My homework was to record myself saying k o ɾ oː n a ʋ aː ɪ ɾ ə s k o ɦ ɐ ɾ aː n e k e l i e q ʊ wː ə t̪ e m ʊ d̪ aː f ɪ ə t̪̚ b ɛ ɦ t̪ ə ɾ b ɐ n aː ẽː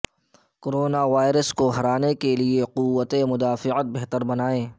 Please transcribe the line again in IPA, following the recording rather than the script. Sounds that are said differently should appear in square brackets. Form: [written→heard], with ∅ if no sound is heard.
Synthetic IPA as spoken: k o ɾ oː n a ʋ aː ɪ ɾ ə s k o ɦ ɐ ɾ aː n e k e l i e q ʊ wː ə t̪ e m ʊ d̪ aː f ɪ ə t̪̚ b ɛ ɦ t̪ ə ɾ b ɐ n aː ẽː